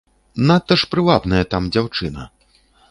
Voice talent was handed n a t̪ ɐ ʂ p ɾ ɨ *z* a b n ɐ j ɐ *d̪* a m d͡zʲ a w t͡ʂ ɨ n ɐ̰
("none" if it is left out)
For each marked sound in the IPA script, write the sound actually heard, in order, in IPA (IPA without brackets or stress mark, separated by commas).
v, t̪